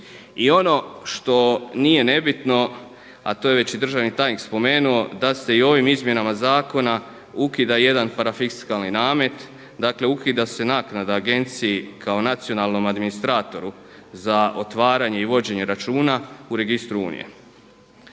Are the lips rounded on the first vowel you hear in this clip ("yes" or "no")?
no